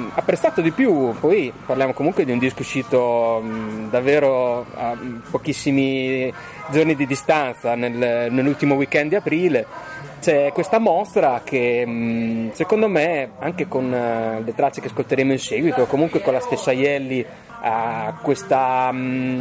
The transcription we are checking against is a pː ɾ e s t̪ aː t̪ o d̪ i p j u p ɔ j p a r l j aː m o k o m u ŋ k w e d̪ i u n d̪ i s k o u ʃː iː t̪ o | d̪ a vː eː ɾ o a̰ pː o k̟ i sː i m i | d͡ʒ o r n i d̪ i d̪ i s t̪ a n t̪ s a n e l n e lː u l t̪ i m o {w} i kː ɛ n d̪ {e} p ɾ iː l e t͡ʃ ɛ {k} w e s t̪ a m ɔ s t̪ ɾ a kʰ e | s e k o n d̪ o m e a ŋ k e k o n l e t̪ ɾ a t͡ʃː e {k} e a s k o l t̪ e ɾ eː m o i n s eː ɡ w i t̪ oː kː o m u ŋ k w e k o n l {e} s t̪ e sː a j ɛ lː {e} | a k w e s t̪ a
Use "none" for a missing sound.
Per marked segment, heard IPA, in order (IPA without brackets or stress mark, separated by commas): w, a, k, k, a, i